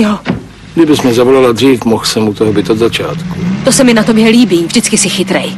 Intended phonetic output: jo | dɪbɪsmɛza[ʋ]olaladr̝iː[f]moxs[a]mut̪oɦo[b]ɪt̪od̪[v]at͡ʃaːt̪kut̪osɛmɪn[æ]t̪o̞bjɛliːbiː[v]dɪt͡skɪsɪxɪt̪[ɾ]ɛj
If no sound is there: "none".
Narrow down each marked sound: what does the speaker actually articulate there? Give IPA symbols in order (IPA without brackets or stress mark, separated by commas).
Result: v, f, ɛ, b, z, a, v, ɾ